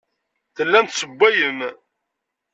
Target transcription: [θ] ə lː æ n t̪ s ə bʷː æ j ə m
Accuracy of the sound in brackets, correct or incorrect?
correct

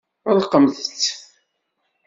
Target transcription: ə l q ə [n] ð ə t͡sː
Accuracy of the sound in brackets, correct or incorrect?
incorrect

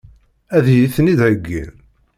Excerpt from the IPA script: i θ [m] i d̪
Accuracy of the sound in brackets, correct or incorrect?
incorrect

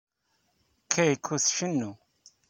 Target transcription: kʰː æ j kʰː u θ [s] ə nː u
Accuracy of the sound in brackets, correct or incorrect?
incorrect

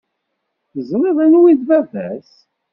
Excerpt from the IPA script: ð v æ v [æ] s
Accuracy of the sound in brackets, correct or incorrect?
correct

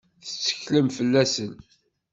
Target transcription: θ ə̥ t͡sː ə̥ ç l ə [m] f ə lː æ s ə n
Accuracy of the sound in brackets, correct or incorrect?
correct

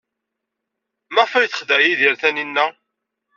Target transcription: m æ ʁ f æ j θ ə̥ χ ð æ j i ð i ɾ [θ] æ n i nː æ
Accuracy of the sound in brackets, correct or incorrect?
correct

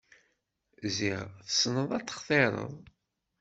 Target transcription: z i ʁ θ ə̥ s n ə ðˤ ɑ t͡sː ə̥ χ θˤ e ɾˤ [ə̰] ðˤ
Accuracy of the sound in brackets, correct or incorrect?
correct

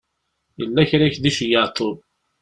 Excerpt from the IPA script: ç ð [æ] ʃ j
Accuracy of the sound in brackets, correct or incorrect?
incorrect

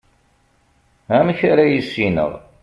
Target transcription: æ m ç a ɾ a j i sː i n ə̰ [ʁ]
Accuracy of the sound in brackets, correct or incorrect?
correct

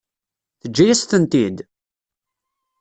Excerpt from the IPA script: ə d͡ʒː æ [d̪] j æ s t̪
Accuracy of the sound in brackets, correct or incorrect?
incorrect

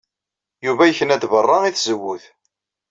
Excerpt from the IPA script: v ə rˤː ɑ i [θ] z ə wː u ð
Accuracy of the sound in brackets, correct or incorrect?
correct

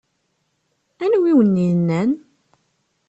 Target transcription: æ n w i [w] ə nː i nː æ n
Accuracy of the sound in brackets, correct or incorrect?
correct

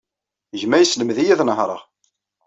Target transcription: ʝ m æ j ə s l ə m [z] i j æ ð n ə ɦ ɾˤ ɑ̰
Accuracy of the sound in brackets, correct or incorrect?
incorrect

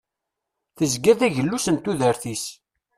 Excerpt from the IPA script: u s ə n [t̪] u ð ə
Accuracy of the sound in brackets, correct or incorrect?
correct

